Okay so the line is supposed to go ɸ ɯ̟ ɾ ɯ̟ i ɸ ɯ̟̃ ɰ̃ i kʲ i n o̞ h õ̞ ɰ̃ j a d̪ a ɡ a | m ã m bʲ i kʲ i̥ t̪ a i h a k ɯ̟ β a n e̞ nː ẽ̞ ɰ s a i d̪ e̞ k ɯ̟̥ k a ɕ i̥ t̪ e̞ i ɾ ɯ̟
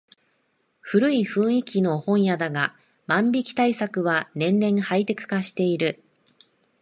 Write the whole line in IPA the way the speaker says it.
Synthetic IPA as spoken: ɸ ɯ̟ ɾ ɯ̟ i ɸ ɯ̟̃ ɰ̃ i kʲ i n o̞ h õ̞ ɰ̃ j a d̪ a ɡ a | m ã m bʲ i kʲ i̥ t̪ a i s a k ɯ̟ β a n ẽ̞ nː ẽ̞ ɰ h a i t̪ e̞ k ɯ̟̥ k a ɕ i̥ t̪ e̞ i ɾ ɯ̟